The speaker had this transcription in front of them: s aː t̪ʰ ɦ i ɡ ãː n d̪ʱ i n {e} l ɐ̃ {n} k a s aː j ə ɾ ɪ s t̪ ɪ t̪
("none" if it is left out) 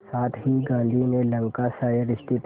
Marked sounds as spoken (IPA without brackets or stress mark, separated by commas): e, ŋ